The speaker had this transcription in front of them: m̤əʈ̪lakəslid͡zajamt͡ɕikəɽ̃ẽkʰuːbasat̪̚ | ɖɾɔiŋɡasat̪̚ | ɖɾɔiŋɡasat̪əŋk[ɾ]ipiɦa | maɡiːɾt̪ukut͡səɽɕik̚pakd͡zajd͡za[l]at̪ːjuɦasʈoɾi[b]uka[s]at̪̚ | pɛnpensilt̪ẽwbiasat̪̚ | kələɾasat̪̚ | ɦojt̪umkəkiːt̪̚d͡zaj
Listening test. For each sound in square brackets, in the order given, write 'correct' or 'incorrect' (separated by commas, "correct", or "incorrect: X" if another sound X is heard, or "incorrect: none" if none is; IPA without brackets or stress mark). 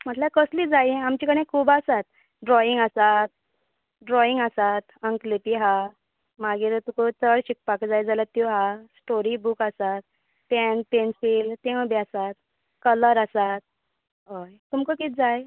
incorrect: l, correct, correct, correct